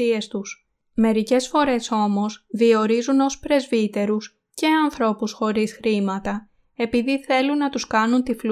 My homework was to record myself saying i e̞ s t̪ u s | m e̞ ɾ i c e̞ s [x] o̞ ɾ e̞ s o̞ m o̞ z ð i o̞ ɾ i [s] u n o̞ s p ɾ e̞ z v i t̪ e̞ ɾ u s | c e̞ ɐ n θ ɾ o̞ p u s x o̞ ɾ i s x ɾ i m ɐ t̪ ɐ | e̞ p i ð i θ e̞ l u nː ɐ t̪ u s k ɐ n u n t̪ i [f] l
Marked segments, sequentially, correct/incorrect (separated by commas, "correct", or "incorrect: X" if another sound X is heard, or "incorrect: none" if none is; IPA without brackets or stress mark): incorrect: f, incorrect: z, correct